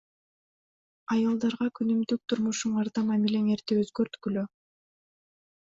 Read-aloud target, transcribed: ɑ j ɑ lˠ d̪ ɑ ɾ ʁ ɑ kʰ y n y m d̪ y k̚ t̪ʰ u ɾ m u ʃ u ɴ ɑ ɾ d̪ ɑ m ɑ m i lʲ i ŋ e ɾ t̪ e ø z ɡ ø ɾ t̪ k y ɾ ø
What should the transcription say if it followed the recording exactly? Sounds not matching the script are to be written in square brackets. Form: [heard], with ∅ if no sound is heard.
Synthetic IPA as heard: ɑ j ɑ lˠ d̪ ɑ ɾ ʁ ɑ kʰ y n y m d̪ y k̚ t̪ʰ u ɾ m u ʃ u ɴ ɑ ɾ d̪ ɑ m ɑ m i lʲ [e] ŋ e ɾ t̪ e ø z ɡ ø ɾ t̪ k y [l] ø